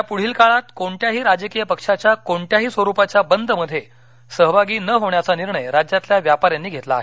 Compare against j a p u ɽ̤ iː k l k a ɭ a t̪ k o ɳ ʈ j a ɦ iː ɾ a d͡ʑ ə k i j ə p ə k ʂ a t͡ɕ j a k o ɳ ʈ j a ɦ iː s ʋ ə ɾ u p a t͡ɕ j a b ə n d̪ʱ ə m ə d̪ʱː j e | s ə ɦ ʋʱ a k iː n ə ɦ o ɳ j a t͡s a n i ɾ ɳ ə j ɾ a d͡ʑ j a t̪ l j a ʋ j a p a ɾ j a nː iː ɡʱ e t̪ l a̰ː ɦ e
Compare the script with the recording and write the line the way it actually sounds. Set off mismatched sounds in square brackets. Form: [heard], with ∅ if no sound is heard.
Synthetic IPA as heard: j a p u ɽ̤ iː [∅] l k a ɭ a t̪ k o ɳ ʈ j a ɦ iː ɾ a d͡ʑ ə k i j ə p ə k ʂ a t͡ɕ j a k o ɳ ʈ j a ɦ iː s ʋ ə ɾ u p a t͡ɕ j a b ə n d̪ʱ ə m ə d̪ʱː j e | s ə ɦ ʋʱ a [ɡ] iː n ə ɦ o ɳ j a t͡s a n i ɾ ɳ ə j ɾ a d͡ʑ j a t̪ l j a ʋ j a p a ɾ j a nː iː ɡʱ e t̪ l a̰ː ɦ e